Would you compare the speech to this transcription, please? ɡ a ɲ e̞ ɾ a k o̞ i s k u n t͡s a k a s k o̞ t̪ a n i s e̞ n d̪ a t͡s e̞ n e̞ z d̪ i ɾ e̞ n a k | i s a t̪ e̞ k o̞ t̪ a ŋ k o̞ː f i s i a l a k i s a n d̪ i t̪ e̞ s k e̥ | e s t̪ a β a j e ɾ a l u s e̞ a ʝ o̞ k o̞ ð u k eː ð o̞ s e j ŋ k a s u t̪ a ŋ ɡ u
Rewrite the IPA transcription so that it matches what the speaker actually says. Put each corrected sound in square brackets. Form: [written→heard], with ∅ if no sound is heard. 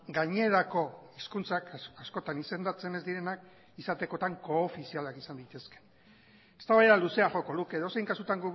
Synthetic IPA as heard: ɡ a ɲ e̞ ɾ a k o̞ i s k u n t͡s a k a s k o̞ t̪ a n i s e̞ n d̪ a t͡s e̞ n e̞ z d̪ i ɾ e̞ n a k | i s a t̪ e̞ k o̞ t̪ a ŋ k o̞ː f i s i a l a k i s a n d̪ i t̪ e̞ s k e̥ | e s t̪ a β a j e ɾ a l u s e̞ a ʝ o̞ k o̞ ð u k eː ð o̞ s e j ŋ k a s u t̪ a ŋ ɡ u